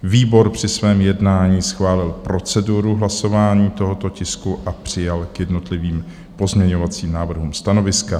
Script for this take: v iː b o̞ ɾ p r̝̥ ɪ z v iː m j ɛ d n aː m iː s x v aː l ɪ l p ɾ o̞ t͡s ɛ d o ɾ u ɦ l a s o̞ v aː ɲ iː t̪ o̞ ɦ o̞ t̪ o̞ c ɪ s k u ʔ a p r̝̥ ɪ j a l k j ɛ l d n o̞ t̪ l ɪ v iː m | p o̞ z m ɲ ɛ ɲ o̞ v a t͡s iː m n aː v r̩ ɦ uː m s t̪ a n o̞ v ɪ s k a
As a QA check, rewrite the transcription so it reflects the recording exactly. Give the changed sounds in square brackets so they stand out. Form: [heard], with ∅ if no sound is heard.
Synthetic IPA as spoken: v iː b o̞ ɾ p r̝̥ ɪ [s] v [ɛː] m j ɛ d n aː [ɲ] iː s x v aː l ɪ l p ɾ o̞ t͡s ɛ d [u] ɾ u ɦ l a s o̞ v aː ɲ iː t̪ o̞ ɦ o̞ t̪ o̞ c ɪ s k u ʔ a p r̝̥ ɪ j a l k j ɛ [∅] d n o̞ t̪ l ɪ v iː m | p o̞ z m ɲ ɛ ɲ o̞ v a t͡s iː m n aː v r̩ ɦ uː m s t̪ a n o̞ v ɪ s k a